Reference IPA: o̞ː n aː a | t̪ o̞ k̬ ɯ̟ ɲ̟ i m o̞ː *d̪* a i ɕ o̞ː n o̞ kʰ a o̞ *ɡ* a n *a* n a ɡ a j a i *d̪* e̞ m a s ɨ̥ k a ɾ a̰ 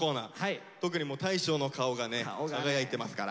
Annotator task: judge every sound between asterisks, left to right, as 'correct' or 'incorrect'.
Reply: incorrect: t̪, correct, incorrect: e, incorrect: t̪

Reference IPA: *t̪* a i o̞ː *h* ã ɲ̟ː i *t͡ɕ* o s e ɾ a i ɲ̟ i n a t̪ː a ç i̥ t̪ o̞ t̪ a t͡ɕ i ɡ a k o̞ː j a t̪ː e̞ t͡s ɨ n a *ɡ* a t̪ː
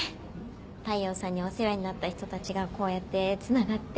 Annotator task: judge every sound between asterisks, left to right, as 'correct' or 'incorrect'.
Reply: correct, incorrect: s, incorrect: none, correct

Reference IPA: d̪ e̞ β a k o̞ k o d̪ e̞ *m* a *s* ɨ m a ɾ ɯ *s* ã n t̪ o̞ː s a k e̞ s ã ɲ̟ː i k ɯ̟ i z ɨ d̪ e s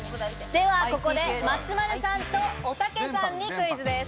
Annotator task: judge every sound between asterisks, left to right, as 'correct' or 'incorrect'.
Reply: correct, incorrect: t͡s, correct

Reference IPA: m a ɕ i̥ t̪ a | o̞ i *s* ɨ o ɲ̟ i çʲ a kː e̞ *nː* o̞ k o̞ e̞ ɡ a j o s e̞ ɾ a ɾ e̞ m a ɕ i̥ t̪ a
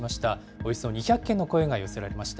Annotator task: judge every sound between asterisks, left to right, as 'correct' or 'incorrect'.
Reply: correct, correct

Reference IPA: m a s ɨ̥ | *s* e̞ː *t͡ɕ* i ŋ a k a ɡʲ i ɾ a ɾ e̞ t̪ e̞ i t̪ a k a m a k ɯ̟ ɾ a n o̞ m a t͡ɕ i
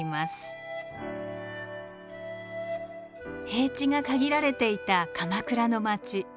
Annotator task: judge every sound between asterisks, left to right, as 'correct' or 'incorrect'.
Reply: incorrect: h, correct

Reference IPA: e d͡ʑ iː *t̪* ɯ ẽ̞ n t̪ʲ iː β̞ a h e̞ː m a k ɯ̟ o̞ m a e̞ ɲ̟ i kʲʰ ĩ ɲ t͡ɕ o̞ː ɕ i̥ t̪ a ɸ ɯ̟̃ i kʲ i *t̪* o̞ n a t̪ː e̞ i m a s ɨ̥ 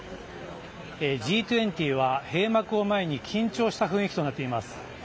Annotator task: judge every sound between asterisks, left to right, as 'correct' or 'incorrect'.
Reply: correct, correct

